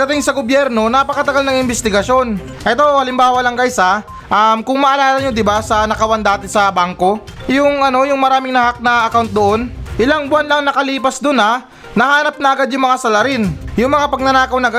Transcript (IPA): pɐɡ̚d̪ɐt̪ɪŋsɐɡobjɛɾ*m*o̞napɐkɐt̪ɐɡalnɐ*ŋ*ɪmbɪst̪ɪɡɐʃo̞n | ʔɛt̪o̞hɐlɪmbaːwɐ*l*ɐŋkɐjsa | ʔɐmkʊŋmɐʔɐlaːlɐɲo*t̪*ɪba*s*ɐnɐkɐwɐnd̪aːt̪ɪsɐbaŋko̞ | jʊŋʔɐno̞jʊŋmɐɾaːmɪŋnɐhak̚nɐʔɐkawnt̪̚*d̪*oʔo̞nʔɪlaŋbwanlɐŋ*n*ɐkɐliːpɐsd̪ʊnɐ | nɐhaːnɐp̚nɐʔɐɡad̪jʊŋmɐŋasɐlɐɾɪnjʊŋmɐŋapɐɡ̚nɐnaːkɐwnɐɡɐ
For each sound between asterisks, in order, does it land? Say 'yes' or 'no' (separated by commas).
no, yes, yes, no, yes, yes, yes